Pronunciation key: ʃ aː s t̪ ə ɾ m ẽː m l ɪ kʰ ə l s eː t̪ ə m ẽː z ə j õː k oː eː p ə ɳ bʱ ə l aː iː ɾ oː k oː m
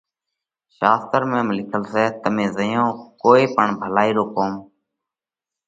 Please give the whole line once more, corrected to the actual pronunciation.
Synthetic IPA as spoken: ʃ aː s t̪ ə ɾ m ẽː m l ɪ kʰ ə l s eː t̪ ə m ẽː z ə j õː k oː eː p ə ɳ bʱ ə l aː iː ɾ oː k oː m